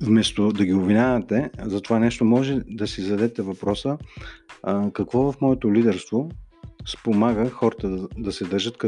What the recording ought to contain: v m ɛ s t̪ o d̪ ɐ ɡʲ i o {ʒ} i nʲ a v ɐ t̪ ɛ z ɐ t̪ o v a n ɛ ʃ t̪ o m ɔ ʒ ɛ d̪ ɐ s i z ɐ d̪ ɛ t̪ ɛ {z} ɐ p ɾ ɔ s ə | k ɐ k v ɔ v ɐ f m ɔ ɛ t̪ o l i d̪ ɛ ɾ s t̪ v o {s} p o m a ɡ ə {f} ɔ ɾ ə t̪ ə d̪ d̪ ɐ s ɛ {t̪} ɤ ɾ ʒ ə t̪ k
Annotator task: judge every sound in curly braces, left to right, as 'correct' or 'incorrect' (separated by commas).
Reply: incorrect, incorrect, correct, incorrect, incorrect